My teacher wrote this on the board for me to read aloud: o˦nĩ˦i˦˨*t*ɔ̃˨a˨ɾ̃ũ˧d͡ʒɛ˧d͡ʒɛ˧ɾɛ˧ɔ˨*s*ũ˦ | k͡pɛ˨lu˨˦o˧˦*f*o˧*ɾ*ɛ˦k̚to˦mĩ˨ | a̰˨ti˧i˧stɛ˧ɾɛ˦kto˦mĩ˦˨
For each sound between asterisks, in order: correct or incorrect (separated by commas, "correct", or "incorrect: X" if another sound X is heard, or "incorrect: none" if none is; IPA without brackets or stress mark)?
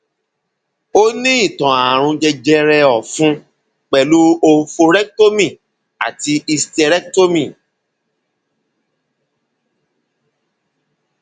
correct, incorrect: f, correct, correct